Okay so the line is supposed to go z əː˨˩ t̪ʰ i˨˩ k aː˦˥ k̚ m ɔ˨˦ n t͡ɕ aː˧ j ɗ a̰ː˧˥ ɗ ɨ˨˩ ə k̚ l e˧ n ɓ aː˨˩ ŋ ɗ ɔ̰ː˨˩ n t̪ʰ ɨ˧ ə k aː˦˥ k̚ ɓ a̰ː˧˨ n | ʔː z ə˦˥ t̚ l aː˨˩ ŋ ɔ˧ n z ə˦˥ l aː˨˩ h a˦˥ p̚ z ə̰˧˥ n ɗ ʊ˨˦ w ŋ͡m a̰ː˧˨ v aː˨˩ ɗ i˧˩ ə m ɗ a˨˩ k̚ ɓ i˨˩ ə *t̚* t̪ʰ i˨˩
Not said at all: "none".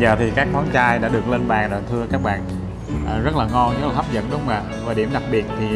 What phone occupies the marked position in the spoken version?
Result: t̚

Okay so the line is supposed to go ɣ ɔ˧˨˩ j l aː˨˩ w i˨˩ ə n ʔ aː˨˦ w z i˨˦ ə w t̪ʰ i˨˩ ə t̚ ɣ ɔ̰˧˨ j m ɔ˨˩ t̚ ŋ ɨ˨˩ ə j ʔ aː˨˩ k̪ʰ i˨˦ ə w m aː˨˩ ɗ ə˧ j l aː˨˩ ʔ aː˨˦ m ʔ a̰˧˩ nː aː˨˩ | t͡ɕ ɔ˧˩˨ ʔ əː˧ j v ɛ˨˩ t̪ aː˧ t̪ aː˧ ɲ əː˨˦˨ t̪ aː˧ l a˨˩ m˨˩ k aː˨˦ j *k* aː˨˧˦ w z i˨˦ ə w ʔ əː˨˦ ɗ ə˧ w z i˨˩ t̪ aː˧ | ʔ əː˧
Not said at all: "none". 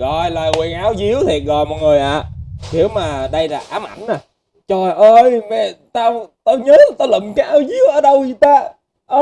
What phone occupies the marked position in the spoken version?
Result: ʔ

